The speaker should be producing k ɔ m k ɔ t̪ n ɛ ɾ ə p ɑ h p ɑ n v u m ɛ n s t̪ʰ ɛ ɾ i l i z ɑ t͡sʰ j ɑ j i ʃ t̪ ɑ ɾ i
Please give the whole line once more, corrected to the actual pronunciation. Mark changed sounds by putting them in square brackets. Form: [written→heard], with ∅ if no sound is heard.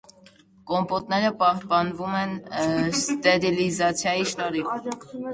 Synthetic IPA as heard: k ɔ m [k→p] ɔ t̪ n ɛ ɾ ə p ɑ h p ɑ n v u m ɛ n s [t̪ʰ→t̪] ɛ ɾ i l i z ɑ t͡sʰ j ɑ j i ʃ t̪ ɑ ɾ i